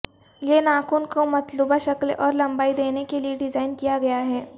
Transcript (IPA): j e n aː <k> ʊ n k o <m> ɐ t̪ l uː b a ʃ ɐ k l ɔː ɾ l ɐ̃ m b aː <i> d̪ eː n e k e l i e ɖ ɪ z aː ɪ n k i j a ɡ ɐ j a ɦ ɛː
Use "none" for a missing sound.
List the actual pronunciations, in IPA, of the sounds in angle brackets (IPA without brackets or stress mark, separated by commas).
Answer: k, m, i